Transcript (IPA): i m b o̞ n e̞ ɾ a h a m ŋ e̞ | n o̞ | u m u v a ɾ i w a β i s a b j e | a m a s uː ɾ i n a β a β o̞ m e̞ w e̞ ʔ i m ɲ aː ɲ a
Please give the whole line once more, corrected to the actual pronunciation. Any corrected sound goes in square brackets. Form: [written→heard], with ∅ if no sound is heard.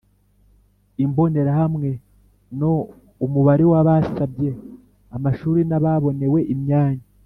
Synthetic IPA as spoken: i m b o̞ n e̞ ɾ a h a m ŋ e̞ | n o̞ | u m u [v→β] a ɾ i w a β [i→a] s a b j e | a m a [s→ʃ] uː ɾ i n a β a β o̞ [m→n] e̞ w e̞ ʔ i m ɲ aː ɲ a